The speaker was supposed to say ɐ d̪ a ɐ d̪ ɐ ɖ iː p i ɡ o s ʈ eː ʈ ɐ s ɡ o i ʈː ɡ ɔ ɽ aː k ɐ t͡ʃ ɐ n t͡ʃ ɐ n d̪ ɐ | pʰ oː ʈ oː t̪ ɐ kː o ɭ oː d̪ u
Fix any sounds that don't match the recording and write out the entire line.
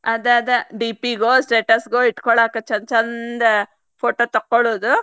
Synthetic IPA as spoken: ɐ d̪ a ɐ d̪ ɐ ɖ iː p i ɡ o s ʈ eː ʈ ɐ s ɡ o i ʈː k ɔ ɭ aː k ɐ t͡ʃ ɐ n t͡ʃ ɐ n d̪ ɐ | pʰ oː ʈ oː t̪ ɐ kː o ɭ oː d̪ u